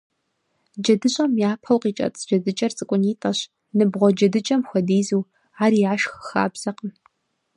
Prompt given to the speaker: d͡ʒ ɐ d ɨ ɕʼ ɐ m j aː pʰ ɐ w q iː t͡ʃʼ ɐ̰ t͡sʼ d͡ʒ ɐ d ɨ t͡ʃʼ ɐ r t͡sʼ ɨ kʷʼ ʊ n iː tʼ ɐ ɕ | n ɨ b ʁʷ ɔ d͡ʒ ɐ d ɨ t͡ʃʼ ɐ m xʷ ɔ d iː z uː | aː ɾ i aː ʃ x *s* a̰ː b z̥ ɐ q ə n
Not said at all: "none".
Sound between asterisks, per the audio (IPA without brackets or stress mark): x